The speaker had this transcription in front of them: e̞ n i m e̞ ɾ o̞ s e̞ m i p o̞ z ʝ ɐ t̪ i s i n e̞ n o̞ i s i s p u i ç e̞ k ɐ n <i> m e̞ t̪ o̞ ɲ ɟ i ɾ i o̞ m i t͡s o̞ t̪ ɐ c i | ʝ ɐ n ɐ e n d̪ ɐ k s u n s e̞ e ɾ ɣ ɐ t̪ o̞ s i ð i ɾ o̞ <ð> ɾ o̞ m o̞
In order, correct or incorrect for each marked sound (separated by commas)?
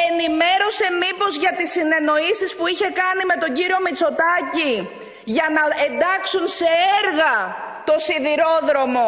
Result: correct, correct